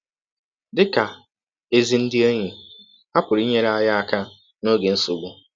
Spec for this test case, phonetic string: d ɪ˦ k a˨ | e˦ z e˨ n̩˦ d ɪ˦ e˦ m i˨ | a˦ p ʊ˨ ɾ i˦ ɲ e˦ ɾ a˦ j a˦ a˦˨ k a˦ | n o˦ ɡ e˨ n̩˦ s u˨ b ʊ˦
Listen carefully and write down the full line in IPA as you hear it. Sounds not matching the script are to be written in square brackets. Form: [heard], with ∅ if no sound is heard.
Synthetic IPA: d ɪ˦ k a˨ | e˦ z [i˨] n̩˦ d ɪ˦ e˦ [ɲ] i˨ | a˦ p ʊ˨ ɾ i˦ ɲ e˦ ɾ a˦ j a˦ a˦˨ k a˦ | n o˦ ɡ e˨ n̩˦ s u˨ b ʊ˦